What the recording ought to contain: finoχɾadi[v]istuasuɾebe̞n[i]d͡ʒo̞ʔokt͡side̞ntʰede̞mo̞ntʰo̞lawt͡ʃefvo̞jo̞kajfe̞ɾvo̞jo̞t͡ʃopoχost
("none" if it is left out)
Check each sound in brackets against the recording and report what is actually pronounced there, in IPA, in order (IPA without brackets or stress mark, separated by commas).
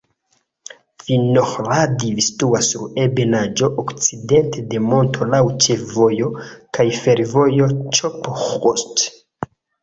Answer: v, a